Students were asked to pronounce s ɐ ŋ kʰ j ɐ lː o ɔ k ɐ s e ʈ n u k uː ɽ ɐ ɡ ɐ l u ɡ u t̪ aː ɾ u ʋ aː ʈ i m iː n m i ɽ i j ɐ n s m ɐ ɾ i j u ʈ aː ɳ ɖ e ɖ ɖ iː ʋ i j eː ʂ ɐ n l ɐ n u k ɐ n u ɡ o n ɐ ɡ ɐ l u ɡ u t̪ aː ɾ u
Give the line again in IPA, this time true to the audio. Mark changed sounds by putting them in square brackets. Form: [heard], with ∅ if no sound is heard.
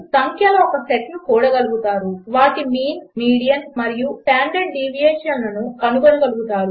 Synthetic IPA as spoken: s ɐ ŋ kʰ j ɐ [l] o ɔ k ɐ s e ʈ n u k uː ɽ ɐ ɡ ɐ l u ɡ u t̪ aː ɾ u ʋ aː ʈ i m iː n m [iː] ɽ i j ɐ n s m ɐ ɾ i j u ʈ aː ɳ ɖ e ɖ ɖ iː ʋ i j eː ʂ ɐ n l ɐ n u k ɐ n u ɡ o n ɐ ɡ ɐ l u ɡ u t̪ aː ɾ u

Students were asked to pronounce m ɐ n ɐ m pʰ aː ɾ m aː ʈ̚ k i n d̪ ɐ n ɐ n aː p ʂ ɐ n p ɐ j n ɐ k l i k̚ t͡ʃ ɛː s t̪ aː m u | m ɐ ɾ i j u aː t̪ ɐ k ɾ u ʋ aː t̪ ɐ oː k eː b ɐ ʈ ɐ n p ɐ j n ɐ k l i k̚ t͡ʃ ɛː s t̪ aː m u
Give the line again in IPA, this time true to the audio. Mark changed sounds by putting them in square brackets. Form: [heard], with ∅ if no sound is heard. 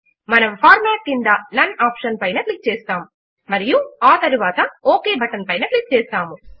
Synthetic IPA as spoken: m ɐ n ɐ m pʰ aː ɾ m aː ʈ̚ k i n d̪ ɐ n ɐ n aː p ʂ ɐ n p ɐ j n ɐ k l i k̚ t͡ʃ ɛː s t̪ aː m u | m ɐ ɾ i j u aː t̪ ɐ [∅] ɾ u ʋ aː t̪ ɐ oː k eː b ɐ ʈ ɐ n p ɐ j n ɐ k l i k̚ t͡ʃ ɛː s t̪ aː m u

